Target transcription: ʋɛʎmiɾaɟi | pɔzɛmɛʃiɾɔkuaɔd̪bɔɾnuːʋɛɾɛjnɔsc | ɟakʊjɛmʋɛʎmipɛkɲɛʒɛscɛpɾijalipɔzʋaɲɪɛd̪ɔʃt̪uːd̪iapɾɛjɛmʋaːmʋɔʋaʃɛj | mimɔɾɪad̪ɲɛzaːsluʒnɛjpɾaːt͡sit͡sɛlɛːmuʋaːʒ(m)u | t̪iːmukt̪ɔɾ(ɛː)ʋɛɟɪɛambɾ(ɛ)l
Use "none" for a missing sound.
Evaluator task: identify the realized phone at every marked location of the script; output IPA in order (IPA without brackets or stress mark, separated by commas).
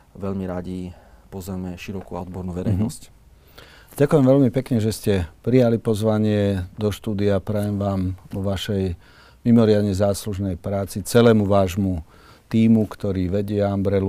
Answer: m, iː, ɛ